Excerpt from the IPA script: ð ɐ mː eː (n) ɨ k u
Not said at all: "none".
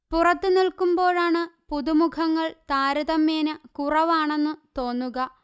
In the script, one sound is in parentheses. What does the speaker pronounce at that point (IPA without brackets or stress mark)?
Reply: n